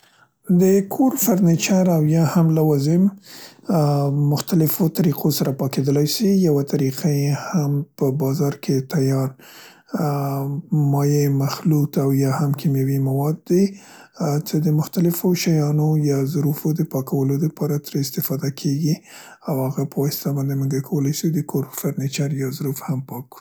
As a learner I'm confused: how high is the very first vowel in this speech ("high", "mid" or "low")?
mid